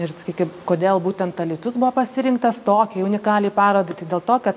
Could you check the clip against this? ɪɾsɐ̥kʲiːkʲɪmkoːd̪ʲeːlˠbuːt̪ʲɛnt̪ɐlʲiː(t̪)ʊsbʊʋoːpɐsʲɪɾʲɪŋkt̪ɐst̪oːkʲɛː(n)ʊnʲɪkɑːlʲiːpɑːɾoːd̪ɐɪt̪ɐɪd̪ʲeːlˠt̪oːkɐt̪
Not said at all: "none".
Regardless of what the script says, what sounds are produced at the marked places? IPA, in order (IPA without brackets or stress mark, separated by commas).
t̪, none